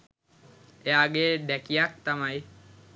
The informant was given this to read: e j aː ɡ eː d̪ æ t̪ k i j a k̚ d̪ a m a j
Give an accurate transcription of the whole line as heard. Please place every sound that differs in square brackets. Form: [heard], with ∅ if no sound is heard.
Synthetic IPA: e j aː ɡ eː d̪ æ [∅] k i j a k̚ [t̪] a m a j